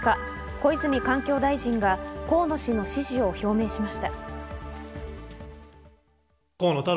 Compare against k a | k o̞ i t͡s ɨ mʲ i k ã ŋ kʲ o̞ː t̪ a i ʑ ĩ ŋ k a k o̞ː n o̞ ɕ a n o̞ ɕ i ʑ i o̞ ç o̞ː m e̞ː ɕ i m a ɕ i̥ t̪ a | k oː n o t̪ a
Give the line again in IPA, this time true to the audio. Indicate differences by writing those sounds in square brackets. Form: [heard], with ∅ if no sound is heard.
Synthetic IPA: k a | k o̞ i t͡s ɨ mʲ i k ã ŋ kʲ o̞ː [d̪] a i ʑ ĩ ŋ [ɡ] a k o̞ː n o̞ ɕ [i] n o̞ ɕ i ʑ i o̞ ç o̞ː m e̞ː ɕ i m a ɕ i̥ t̪ a | k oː n o t̪ a